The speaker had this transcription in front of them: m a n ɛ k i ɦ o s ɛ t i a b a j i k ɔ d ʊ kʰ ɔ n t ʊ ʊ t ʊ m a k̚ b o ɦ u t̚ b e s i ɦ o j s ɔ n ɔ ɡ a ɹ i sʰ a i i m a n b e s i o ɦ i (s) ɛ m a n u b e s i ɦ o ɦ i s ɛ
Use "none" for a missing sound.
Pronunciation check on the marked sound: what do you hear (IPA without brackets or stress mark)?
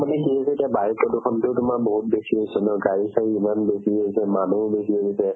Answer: s